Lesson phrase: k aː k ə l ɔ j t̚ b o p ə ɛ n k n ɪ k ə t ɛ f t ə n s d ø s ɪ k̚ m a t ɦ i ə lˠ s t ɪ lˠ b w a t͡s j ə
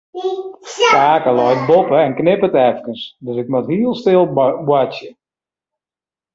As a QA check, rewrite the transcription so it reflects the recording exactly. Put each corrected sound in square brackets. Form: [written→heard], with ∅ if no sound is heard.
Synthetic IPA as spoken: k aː k ə l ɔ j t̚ b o p ə ɛ n k n ɪ [k→p] ə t ɛ f [t→k] ə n s d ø s ɪ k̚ m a t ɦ i ə lˠ s t ɪ lˠ b w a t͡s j ə